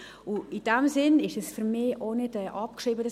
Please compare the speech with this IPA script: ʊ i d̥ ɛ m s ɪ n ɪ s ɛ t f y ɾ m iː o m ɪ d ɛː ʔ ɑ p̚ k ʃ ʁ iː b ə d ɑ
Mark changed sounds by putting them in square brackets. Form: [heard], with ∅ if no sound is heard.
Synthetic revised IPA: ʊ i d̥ ɛ m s ɪ n ɪ [ʃ] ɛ [s] f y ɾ m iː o [n] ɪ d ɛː ʔ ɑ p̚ k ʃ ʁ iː b ə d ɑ